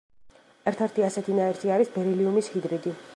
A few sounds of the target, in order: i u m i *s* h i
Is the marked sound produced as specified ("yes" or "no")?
yes